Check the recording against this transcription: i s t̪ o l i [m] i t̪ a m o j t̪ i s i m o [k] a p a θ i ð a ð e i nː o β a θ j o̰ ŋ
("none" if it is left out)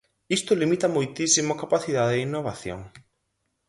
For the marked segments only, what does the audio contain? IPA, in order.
m, k

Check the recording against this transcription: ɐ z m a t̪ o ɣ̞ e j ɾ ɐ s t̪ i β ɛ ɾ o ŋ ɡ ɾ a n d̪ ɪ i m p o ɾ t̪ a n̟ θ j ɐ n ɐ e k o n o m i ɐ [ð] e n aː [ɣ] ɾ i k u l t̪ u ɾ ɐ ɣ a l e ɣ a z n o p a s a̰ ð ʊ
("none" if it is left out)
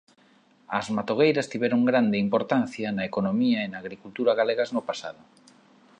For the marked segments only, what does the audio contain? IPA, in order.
none, ɣ

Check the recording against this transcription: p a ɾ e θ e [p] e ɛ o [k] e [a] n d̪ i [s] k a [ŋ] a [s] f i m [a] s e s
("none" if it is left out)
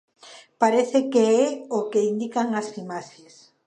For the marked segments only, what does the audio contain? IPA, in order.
k, k, i, none, ŋ, s, a

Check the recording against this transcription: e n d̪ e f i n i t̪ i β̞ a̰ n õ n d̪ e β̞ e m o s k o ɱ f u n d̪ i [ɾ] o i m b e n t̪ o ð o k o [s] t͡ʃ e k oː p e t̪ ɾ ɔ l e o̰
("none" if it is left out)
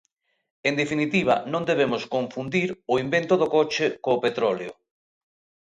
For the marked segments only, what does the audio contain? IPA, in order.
ɾ, none

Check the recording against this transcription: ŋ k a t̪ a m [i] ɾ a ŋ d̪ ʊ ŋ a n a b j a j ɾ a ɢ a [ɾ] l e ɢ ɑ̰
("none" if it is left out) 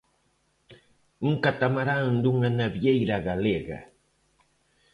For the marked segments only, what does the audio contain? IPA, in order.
a, none

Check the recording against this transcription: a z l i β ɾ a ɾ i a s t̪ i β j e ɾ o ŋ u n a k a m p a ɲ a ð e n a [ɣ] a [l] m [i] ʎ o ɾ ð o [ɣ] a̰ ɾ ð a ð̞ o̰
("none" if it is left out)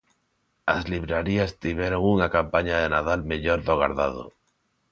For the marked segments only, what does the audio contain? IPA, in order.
ð, l, e, ɣ

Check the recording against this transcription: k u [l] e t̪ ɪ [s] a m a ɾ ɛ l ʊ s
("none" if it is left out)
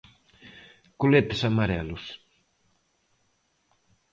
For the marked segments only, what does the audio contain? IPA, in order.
l, s

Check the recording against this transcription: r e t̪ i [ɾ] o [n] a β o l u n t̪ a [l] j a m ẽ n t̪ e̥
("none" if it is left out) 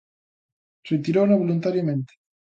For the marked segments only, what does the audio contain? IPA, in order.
ɾ, n, ɾ

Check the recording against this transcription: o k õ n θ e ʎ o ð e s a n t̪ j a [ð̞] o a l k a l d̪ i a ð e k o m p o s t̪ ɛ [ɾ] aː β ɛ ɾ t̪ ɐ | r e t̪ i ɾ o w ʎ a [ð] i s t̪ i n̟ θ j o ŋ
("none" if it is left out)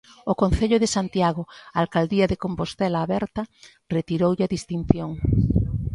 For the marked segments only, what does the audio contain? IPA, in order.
ɣ̞, l, ð

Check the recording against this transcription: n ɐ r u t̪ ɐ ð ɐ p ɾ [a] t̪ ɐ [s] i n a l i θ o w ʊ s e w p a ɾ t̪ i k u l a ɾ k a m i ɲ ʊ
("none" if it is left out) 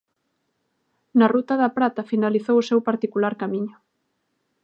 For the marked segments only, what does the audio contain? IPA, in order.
a, f

